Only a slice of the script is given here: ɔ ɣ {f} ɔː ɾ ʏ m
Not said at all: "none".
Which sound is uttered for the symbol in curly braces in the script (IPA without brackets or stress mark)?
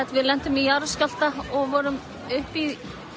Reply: v